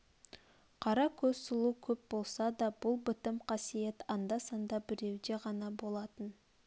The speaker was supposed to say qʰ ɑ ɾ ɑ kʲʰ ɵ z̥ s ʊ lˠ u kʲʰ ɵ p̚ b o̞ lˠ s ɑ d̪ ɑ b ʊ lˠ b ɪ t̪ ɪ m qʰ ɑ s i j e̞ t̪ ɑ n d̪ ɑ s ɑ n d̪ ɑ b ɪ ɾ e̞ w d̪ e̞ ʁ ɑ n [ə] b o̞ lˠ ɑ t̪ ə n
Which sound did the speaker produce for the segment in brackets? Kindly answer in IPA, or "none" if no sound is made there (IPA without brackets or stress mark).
ɑ